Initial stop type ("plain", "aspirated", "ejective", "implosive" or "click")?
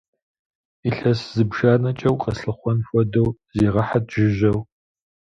plain